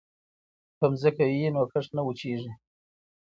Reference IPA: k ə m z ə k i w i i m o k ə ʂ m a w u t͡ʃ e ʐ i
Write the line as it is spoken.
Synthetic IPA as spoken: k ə m z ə k a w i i n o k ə ʂ n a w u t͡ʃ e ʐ i